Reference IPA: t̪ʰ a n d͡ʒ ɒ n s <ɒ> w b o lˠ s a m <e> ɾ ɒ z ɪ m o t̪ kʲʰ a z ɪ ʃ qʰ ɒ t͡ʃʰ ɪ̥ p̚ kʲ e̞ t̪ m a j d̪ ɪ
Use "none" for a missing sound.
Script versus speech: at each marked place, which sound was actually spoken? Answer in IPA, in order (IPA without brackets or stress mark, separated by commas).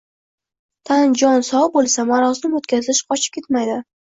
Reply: ɒ, a